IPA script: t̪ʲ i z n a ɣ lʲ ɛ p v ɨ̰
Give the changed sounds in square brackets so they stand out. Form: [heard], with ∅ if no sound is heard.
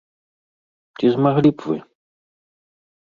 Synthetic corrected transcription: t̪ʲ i z [m] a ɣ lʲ [i] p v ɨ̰